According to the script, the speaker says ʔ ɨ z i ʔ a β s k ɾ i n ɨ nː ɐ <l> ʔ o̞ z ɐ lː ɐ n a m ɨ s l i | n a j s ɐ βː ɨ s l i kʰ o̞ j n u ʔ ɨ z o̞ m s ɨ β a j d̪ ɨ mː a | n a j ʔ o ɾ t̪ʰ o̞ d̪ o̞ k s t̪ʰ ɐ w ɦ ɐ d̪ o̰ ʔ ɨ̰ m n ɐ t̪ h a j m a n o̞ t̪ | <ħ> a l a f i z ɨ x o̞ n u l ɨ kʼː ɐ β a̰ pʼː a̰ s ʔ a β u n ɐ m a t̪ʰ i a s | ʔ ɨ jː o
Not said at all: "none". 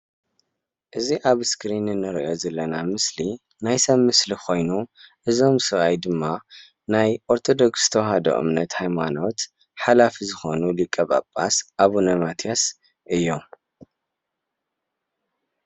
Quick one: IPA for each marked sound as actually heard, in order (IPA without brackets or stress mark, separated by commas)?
ɾ, ħ